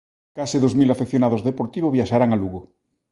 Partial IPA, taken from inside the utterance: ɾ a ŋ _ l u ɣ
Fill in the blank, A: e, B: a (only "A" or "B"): B